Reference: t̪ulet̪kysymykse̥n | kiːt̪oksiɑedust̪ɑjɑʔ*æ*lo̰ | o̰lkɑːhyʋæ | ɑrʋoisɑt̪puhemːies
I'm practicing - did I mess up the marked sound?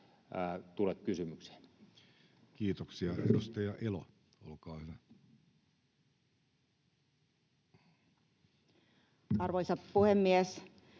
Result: yes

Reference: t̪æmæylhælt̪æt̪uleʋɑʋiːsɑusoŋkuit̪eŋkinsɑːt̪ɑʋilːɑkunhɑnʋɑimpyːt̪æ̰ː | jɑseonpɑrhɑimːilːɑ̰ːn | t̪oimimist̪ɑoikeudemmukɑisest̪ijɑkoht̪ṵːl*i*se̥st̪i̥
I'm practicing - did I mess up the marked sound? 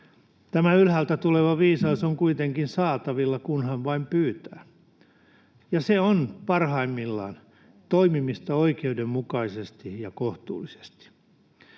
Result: no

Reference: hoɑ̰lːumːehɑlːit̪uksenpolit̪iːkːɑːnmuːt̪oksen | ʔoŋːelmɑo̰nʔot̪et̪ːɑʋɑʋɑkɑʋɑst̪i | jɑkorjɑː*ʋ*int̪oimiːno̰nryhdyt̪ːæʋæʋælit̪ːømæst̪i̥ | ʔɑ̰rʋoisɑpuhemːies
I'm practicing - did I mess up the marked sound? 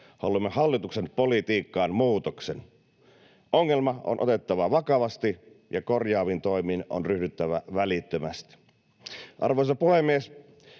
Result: no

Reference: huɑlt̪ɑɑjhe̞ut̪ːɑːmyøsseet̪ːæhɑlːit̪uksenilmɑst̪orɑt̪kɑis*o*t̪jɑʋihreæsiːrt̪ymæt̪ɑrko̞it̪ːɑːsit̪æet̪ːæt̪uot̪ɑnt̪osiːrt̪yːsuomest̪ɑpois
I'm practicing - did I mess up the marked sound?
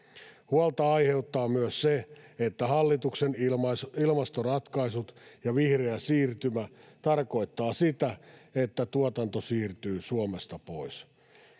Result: yes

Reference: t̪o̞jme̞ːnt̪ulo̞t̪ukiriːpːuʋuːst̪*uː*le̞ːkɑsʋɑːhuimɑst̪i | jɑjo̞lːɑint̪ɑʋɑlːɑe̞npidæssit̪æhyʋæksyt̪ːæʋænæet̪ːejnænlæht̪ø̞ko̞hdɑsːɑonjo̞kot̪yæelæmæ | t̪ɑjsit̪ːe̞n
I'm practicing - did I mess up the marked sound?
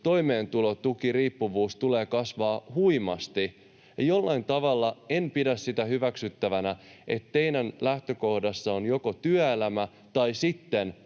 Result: yes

